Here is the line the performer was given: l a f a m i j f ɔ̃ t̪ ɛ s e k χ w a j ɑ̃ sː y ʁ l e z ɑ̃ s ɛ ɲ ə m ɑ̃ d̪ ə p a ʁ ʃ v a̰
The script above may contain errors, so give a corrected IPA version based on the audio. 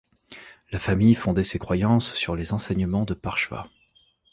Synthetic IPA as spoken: l a f a m i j f ɔ̃ d̪ ɛ s e k χ w a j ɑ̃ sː y ʁ l e z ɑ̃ s ɛ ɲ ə m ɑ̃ d̪ ə p a ʁ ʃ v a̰